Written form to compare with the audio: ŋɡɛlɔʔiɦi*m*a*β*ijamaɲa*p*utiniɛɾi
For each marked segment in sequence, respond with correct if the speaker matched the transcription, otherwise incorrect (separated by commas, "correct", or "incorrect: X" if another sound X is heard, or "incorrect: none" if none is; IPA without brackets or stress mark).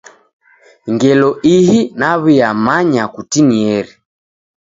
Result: incorrect: n, correct, incorrect: k